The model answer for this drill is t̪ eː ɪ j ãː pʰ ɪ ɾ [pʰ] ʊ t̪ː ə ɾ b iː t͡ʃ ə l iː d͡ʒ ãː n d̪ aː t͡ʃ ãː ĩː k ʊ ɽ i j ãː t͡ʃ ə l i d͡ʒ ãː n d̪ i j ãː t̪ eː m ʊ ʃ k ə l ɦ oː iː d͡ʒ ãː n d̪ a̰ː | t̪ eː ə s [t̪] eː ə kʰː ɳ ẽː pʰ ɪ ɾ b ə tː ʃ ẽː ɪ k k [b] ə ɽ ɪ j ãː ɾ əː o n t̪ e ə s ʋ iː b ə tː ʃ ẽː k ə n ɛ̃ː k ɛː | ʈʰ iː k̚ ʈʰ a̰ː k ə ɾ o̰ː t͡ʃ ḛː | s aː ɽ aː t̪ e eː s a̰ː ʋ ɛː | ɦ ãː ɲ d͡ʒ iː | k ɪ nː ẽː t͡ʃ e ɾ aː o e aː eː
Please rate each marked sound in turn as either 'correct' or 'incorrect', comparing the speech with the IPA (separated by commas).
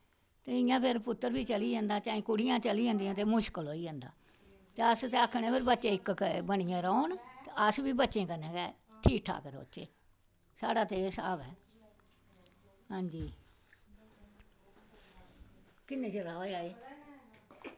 incorrect, correct, correct